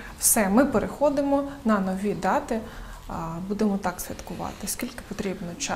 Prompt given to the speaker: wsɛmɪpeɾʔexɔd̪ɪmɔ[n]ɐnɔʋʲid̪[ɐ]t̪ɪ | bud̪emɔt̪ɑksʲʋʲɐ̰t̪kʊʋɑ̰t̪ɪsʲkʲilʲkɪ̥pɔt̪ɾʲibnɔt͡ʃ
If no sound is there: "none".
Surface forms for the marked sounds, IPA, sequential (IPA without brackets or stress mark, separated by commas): n, ɑ